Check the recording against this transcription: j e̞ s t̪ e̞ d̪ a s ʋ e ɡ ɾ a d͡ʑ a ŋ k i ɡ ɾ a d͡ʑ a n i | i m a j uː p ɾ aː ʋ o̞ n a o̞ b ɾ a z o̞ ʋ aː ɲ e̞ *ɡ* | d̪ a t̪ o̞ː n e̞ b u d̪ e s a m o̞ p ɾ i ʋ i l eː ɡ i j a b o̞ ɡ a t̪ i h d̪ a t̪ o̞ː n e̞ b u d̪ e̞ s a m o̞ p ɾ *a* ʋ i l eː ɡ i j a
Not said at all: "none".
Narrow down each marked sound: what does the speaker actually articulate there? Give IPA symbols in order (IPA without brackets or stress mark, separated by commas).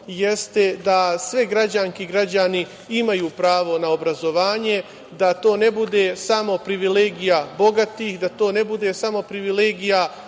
none, i